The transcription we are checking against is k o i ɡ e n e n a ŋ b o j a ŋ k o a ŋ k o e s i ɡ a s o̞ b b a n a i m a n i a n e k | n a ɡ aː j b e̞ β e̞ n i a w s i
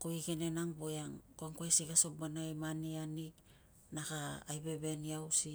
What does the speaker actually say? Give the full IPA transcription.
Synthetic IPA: k o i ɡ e n e n a ŋ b o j a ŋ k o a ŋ k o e s i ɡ a s o̞ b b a n a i m a n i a n i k | n a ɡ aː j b e̞ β e̞ n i a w s i